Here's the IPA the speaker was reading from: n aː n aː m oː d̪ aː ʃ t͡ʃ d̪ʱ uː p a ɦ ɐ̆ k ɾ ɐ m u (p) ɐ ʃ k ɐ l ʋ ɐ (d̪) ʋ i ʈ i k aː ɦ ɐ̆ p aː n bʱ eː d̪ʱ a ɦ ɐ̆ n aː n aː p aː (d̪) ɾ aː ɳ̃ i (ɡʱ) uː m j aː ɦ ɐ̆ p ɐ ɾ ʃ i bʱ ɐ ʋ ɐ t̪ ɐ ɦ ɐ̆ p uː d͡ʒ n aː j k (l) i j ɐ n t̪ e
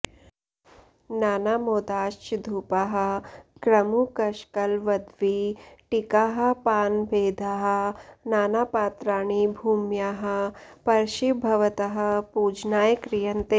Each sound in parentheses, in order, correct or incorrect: incorrect, correct, incorrect, incorrect, incorrect

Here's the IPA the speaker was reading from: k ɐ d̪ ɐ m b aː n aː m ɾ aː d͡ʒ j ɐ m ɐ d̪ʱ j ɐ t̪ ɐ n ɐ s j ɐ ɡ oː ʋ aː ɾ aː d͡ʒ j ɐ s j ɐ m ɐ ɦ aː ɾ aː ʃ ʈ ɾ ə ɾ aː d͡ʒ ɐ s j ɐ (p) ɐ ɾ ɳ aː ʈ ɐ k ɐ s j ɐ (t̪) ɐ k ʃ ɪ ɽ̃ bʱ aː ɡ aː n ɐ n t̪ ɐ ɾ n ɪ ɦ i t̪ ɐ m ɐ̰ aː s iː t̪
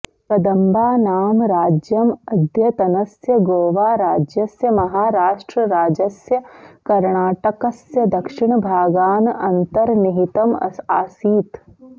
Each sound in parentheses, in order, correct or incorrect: incorrect, incorrect

